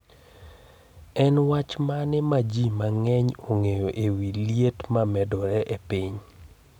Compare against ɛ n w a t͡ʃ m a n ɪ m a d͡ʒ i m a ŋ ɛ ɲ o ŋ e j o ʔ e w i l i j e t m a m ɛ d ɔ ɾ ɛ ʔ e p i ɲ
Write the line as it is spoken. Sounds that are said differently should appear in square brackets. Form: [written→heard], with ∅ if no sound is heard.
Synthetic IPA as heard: ɛ n w a t͡ʃ m a n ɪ m a d͡ʒ i m a ŋ ɛ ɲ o ŋ e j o ʔ e w i l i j e t m a m ɛ d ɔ ɾ ɛ ʔ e p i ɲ

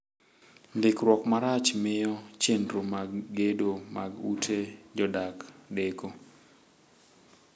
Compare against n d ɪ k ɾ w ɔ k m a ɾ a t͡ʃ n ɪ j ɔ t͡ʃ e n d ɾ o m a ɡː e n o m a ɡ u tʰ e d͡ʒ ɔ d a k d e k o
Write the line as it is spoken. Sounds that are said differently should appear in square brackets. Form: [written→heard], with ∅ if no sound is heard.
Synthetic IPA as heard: n d ɪ k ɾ w ɔ k m a ɾ a t͡ʃ [n→m] ɪ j ɔ t͡ʃ e n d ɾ o m a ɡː e [n→d] o m a ɡ u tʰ e d͡ʒ ɔ d a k d e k o

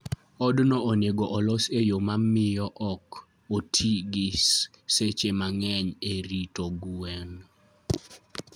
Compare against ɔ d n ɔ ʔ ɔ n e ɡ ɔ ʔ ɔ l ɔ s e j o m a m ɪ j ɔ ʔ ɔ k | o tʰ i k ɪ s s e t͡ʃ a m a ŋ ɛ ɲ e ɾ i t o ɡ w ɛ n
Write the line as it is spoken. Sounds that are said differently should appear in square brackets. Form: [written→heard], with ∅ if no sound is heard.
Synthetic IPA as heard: ɔ d n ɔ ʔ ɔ n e ɡ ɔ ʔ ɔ l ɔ s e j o m a m ɪ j ɔ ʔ ɔ k | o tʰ i [k→ɡ] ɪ s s e t͡ʃ [a→e] m a ŋ ɛ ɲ e ɾ i t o ɡ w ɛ n

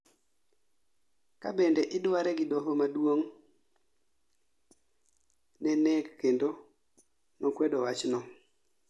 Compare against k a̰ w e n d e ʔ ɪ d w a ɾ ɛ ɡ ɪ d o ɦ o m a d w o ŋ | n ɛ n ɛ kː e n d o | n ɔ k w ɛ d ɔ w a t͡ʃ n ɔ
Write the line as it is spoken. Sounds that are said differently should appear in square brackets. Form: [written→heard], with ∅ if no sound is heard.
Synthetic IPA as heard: k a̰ [w→b] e n d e ʔ ɪ d w a ɾ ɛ ɡ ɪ d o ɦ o m a d w o ŋ | n ɛ n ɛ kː e n d o | n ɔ k w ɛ d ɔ w a t͡ʃ n ɔ

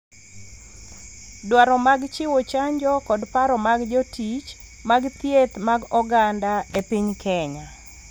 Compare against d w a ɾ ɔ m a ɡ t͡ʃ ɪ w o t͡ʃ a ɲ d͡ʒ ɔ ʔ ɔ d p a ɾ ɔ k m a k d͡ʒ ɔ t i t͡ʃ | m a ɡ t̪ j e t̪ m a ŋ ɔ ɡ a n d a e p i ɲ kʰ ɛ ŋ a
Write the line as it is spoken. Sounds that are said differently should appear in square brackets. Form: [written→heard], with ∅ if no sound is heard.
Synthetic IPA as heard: d w a ɾ ɔ m a ɡ t͡ʃ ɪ w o t͡ʃ a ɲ d͡ʒ ɔ [ʔ→k] ɔ d p a ɾ ɔ [k→∅] m a [k→ɡ] d͡ʒ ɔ t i t͡ʃ | m a ɡ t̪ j e t̪ m a [ŋ→ɡ] ɔ ɡ a n d a e p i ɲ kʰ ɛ [ŋ→ɲ] a

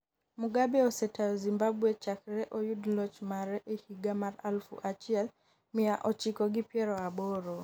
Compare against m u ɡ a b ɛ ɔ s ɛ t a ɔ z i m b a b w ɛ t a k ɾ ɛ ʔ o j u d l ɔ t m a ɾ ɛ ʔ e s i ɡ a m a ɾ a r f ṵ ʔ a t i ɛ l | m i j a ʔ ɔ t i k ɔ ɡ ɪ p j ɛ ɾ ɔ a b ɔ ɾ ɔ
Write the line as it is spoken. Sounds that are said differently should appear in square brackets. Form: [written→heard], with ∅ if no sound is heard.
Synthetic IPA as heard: m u ɡ a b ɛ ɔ s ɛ t a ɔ z i m b a b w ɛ [t→t͡ʃ] a k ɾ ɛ ʔ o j u d l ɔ [t→t͡ʃ] m a ɾ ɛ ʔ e [s→h] i ɡ a m a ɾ a [r→l] f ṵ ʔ a [t→t͡ʃ] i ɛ l | m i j a ʔ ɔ [t→t͡ʃ] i k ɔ ɡ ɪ p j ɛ ɾ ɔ a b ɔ ɾ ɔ

